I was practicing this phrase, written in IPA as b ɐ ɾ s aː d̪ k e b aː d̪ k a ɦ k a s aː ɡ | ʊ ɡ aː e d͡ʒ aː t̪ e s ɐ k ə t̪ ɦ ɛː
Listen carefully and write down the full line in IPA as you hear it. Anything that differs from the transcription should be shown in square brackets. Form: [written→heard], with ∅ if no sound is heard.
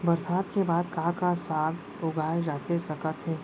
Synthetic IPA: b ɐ ɾ s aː d̪ k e b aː d̪ k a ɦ k a s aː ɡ | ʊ ɡ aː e d͡ʒ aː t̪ e s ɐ k ə t̪ ɦ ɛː